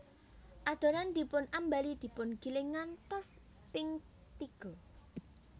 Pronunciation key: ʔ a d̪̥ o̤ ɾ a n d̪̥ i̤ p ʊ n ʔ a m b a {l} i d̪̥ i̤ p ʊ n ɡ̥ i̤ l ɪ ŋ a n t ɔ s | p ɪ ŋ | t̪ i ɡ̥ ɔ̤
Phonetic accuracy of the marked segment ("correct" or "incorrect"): correct